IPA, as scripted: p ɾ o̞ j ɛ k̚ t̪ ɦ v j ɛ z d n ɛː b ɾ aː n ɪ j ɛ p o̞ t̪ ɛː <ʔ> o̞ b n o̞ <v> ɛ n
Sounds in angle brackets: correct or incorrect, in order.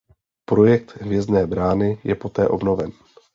correct, correct

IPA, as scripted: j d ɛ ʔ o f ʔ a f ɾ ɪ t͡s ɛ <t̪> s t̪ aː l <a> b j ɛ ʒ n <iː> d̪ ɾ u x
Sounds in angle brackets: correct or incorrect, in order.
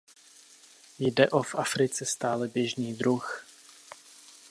incorrect, incorrect, correct

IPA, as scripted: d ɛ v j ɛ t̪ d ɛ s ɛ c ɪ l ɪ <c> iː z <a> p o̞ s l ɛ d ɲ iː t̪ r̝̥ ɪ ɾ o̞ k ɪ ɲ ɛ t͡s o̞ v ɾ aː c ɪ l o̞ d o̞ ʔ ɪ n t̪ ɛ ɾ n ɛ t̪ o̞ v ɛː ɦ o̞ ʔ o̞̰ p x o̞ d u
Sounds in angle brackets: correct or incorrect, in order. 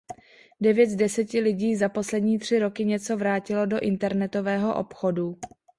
incorrect, correct

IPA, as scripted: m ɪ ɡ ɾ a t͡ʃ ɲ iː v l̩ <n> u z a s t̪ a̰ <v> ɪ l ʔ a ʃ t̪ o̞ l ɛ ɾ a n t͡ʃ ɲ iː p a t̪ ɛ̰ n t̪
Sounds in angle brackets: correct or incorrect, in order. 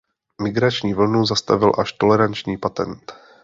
correct, correct

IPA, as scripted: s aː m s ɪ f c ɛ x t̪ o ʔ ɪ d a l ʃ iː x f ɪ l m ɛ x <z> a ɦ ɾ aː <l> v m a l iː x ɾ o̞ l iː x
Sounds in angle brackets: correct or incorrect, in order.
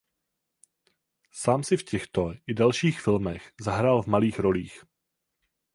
correct, correct

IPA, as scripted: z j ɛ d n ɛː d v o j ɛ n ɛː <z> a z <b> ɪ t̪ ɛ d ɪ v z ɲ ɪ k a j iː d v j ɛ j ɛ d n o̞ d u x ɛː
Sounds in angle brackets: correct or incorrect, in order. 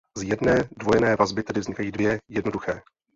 incorrect, correct

